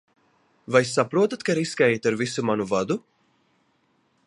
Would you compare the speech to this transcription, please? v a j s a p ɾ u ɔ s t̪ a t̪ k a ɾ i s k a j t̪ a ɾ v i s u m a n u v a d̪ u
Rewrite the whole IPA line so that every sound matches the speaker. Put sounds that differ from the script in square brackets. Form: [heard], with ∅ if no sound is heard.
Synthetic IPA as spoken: v a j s a p ɾ u ɔ [∅] t̪ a t̪ k a ɾ i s k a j t̪ a ɾ v i s u m a n u v a d̪ u